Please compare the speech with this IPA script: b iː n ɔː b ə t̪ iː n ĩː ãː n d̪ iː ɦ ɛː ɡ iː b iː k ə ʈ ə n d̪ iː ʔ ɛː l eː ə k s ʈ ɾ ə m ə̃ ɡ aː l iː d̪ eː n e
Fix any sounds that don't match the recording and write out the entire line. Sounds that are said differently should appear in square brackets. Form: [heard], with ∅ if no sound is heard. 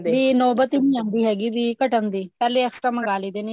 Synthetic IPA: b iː n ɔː b ə t̪ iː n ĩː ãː n d̪ iː ɦ ɛː ɡ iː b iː k ə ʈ ə n d̪ iː [p] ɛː l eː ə k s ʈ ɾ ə m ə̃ ɡ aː l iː d̪ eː n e

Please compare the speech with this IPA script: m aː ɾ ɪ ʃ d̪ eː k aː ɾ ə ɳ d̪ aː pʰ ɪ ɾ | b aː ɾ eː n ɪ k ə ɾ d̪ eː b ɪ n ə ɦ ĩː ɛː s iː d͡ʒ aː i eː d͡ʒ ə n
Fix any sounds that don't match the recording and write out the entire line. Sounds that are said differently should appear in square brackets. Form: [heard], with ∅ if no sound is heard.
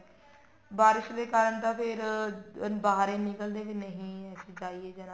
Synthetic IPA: [b] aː ɾ ɪ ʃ d̪ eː k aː ɾ ə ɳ [t̪] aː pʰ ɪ ɾ | b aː ɾ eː n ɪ k ə [l] d̪ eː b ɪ n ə ɦ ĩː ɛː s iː d͡ʒ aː i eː d͡ʒ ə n

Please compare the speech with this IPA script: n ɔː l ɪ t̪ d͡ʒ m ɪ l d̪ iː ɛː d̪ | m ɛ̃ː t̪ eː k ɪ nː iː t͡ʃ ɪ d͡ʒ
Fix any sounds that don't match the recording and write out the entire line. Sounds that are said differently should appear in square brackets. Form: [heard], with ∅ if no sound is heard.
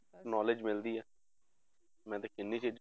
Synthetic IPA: n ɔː l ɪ [∅] d͡ʒ m ɪ l d̪ iː ɛː [∅] | m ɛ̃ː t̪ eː k ɪ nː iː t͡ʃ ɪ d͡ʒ

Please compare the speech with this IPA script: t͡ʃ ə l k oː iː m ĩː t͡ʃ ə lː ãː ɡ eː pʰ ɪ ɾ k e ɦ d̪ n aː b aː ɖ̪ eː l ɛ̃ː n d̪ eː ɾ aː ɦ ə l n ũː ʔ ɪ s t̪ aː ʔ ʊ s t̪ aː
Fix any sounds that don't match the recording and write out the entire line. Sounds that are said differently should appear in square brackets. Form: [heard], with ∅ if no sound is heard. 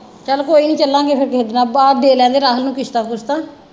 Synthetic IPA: t͡ʃ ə l k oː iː [n] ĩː t͡ʃ ə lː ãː ɡ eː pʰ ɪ ɾ k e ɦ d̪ n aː b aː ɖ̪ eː l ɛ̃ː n d̪ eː ɾ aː ɦ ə l n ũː [k] ɪ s t̪ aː [k] ʊ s t̪ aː

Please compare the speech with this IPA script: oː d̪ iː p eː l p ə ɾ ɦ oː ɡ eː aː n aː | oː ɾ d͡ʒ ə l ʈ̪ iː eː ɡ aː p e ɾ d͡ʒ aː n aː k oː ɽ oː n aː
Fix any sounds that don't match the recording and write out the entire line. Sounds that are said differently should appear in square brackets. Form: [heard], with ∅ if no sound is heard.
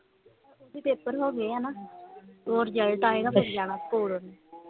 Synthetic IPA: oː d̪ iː p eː [∅] p ə ɾ ɦ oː ɡ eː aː n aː | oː ɾ d͡ʒ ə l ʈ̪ [aː] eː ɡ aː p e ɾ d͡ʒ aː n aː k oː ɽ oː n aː

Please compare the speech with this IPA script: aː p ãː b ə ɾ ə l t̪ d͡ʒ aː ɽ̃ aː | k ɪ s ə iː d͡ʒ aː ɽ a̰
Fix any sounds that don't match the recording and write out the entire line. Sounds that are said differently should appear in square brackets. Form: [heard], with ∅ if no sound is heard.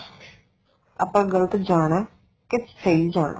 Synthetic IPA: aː p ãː [ɡ] ə [l] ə [∅] t̪ d͡ʒ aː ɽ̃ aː | k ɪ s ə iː d͡ʒ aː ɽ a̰

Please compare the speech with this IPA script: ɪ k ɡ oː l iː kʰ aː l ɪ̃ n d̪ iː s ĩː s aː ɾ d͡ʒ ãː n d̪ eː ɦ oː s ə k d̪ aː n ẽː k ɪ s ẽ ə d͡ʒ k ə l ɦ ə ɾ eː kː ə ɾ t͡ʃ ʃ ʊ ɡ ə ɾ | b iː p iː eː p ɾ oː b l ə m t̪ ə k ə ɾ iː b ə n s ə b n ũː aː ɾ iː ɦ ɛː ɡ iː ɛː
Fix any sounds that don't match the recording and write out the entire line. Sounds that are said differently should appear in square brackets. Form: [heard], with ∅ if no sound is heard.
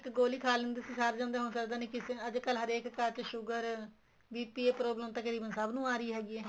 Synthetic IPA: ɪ k ɡ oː l iː kʰ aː l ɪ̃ n d̪ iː s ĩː s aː ɾ d͡ʒ ãː n d̪ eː ɦ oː s ə k d̪ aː n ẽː k ɪ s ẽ ə d͡ʒ k ə l ɦ ə ɾ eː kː ə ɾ t͡ʃ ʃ ʊ ɡ ə ɾ | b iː p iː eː p ɾ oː b l ə m t̪ ə k ə ɾ iː b ə n s ə b n ũː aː ɾ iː ɦ ɛː ɡ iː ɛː

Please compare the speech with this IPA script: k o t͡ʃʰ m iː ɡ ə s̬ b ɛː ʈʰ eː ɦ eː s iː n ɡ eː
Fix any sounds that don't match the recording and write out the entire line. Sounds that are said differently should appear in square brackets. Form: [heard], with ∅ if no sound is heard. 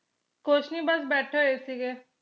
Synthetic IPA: k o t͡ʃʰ [n] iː [b] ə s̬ b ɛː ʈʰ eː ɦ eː s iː [∅] ɡ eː

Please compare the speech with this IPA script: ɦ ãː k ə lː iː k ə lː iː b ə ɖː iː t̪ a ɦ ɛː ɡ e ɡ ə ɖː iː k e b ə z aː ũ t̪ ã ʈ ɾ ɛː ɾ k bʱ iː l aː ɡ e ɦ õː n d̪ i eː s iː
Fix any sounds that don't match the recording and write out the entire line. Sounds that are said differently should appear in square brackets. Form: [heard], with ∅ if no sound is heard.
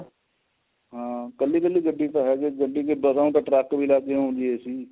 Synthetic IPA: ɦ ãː k ə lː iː k ə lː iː [ɡ] ə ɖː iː t̪ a ɦ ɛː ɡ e ɡ ə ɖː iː k e b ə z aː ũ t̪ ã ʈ ɾ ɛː [∅] k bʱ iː l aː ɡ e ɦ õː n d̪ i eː s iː

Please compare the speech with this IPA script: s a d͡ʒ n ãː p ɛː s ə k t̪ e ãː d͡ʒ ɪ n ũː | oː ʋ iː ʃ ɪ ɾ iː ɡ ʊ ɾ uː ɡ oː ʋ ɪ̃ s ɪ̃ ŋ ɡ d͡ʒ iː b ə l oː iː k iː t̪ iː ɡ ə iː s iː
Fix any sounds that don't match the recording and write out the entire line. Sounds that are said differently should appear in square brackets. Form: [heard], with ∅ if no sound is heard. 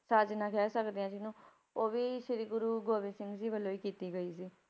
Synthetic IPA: s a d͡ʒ n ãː [k] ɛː s ə k [d̪] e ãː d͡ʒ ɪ n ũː | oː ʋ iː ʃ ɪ ɾ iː ɡ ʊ ɾ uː ɡ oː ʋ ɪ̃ s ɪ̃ ŋ ɡ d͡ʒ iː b ə l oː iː k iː t̪ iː ɡ ə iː s iː

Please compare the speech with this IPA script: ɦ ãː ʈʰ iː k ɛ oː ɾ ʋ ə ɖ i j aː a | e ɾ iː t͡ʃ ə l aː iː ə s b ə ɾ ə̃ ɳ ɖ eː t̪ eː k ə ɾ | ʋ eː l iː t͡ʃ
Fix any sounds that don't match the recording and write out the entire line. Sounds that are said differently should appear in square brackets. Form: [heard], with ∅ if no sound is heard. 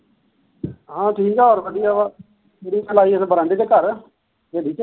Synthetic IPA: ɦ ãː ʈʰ iː k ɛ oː ɾ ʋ ə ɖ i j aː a | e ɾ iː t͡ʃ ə l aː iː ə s b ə ɾ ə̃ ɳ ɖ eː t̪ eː k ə ɾ | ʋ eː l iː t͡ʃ

